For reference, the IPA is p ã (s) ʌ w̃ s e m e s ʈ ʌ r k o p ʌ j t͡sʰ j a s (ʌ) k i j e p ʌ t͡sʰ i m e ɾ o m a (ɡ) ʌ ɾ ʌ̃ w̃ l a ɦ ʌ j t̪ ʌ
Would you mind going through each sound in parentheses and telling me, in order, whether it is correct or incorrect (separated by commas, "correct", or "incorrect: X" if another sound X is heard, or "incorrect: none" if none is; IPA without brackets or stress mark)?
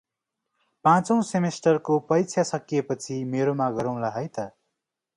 incorrect: t͡s, correct, correct